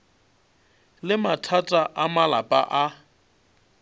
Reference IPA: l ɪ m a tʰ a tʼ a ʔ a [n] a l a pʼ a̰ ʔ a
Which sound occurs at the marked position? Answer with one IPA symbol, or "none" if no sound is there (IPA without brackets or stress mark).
m